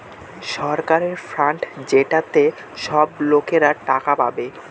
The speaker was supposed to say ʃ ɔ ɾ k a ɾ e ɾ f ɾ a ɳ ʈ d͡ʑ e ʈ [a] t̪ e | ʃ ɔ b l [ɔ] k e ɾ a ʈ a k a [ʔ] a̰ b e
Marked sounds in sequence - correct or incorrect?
correct, incorrect: o, incorrect: p

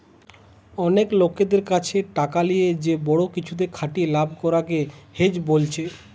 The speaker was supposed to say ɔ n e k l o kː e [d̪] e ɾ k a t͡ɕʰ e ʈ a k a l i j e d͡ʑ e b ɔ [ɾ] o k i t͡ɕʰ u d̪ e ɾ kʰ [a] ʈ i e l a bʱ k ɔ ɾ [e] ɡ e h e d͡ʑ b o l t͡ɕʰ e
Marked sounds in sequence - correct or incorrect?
correct, incorrect: ɽ, correct, incorrect: a

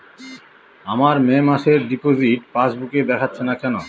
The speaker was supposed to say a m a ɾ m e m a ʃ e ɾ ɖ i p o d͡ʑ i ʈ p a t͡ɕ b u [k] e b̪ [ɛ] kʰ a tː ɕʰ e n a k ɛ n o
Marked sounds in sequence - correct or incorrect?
correct, correct

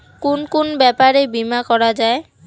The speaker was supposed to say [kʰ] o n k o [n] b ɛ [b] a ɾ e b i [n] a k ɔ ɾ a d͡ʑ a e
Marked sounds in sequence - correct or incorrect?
incorrect: k, correct, incorrect: p, incorrect: m

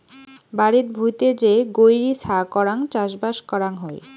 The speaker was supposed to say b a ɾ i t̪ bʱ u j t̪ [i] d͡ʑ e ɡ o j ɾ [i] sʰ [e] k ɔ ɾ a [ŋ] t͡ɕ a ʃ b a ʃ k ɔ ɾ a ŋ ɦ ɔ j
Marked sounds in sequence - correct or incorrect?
incorrect: e, correct, incorrect: a, correct

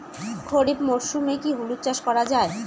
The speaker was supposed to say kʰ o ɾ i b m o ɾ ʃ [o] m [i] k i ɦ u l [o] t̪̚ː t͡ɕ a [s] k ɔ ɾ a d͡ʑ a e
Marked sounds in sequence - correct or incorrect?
incorrect: u, incorrect: e, incorrect: u, incorrect: ʃ

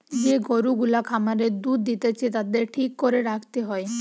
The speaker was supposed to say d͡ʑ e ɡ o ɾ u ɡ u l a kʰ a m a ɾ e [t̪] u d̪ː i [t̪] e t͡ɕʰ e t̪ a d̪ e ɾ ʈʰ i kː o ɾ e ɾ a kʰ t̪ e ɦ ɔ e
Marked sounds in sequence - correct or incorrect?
incorrect: d̪, correct

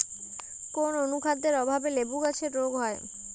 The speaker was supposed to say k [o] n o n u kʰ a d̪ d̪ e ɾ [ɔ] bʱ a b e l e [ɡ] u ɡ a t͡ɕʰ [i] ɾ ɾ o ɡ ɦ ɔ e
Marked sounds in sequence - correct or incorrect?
correct, correct, incorrect: b, incorrect: e

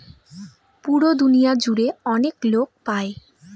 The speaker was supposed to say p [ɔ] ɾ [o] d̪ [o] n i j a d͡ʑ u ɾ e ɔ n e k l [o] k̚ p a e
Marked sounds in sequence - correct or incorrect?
incorrect: u, correct, incorrect: u, correct

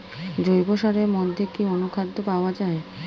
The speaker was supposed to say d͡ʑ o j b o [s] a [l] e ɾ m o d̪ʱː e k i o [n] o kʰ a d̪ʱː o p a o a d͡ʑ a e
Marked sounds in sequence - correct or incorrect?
incorrect: ʃ, incorrect: ɾ, correct

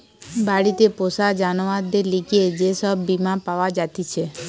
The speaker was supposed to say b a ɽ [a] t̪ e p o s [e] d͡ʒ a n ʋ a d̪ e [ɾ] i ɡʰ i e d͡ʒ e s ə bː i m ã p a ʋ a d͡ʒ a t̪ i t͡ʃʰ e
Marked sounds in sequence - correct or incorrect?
incorrect: i, incorrect: a, incorrect: l

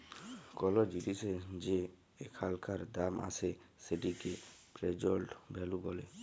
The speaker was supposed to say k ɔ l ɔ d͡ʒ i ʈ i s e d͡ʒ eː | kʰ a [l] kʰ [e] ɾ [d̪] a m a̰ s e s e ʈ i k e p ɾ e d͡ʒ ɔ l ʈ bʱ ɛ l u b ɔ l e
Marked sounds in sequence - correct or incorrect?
correct, incorrect: a, correct

